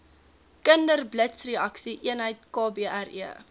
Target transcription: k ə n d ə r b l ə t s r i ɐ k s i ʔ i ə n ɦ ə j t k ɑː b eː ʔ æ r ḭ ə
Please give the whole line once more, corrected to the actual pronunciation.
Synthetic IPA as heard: k ə n d ə r b l ə t s r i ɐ k s i ʔ i ə n ɦ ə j t k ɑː b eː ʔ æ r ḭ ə